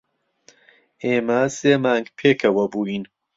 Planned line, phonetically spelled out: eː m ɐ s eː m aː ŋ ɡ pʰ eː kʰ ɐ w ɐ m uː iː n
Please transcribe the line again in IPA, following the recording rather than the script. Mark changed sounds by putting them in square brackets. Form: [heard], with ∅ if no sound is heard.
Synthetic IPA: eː m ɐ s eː m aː ŋ ɡ pʰ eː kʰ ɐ w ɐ [b] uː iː n